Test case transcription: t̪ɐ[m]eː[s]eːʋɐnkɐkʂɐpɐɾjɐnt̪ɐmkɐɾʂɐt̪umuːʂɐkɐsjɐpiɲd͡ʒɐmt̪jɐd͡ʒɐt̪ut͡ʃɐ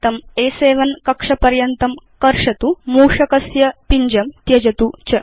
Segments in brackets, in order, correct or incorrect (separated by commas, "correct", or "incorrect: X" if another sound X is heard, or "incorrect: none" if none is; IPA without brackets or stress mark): correct, correct